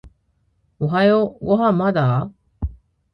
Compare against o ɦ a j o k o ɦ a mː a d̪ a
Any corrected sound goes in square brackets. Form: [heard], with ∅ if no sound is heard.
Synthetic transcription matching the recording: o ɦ a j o [ɡ] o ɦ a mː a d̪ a